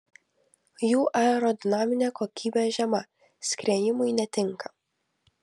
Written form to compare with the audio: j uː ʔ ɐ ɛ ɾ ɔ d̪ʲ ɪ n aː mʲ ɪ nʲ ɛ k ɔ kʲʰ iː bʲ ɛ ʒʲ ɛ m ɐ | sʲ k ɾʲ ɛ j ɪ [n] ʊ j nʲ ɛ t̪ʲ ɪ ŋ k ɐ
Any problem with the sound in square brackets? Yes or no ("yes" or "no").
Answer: yes